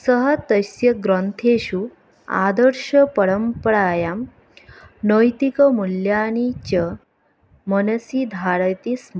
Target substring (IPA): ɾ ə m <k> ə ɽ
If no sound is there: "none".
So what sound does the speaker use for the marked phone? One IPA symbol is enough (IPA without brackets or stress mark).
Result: p